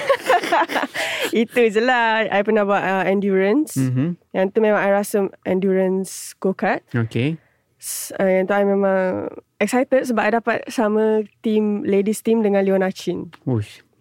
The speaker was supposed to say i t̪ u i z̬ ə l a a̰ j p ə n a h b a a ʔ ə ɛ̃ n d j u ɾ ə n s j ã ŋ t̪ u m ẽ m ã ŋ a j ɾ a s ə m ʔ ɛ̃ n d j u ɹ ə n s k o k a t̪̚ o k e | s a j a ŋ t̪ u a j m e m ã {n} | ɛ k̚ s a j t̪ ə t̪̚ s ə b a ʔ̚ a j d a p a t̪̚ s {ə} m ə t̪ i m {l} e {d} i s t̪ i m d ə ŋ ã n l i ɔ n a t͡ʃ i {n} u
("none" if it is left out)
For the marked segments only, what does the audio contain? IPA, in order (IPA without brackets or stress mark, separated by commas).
ŋ, a, l, d, n